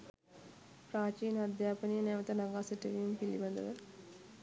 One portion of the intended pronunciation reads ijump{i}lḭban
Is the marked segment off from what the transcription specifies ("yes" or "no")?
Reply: no